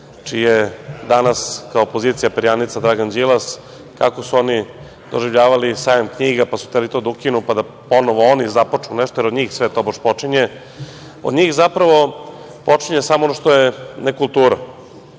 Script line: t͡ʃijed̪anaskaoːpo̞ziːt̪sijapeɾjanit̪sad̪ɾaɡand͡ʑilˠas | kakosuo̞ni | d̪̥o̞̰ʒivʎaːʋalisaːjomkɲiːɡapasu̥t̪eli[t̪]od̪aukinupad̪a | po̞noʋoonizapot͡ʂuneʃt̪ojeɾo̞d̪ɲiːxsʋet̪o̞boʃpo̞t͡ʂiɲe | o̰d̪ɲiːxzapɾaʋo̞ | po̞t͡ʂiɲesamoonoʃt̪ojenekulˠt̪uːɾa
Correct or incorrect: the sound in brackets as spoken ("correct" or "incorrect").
correct